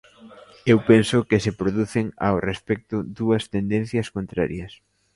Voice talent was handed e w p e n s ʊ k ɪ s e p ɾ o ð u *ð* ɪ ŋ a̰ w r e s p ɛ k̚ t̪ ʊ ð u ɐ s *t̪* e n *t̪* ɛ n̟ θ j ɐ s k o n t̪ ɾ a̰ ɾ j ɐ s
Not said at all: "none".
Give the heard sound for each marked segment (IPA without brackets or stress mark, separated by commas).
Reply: θ, t̪, d̪